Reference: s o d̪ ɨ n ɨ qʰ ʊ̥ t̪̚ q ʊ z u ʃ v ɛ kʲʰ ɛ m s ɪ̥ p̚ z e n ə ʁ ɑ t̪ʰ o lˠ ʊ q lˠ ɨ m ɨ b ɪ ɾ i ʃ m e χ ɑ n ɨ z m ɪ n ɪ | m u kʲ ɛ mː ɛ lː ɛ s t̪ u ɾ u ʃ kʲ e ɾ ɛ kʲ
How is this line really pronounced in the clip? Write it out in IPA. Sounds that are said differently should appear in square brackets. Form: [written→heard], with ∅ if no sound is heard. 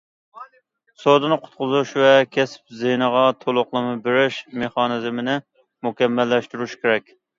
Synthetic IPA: s o d̪ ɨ n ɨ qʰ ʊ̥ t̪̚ q ʊ z u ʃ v ɛ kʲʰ ɛ [m→∅] s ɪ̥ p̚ z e n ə ʁ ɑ t̪ʰ o lˠ ʊ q lˠ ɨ m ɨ b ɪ ɾ [i→ɪ] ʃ m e χ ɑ n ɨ z m ɪ n ɪ | m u kʲ ɛ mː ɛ lː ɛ [s→ʃ] t̪ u ɾ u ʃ kʲ e ɾ ɛ kʲ